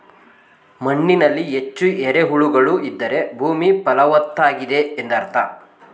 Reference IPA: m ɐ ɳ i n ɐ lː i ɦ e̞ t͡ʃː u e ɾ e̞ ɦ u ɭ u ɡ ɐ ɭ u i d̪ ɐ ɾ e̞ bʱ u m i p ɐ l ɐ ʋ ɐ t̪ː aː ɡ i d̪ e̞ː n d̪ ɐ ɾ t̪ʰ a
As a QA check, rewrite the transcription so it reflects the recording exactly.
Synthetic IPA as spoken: m ɐ ɳː i n ɐ lː i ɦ e̞ t͡ʃː u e ɾ e̞ ɦ u ɭ u ɡ ɐ ɭ u i d̪ː ɐ ɾ e̞ bʱ uː m i p ɐ l ɐ ʋ ɐ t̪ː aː ɡ i d̪ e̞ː n d̪ ɐ ɾ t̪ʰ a